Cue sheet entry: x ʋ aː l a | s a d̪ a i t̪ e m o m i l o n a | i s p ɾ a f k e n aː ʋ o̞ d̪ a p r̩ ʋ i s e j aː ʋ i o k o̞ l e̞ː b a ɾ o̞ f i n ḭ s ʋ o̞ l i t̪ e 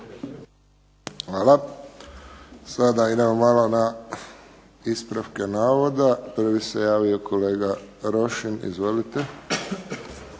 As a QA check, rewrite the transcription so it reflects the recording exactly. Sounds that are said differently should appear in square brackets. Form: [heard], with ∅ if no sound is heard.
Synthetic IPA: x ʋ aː l a | s a d̪ a i [d̪] e m o m [a] l o n a | i s p ɾ a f k e n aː ʋ o̞ d̪ a p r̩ ʋ i s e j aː ʋ i o k o̞ l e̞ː [ɡ] a ɾ o̞ [ʃ] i n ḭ [z] ʋ o̞ l i t̪ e